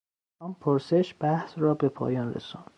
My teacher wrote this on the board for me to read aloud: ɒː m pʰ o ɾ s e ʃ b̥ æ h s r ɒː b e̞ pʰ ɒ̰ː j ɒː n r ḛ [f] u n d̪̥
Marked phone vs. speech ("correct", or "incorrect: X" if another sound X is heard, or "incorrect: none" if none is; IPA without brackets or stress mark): incorrect: s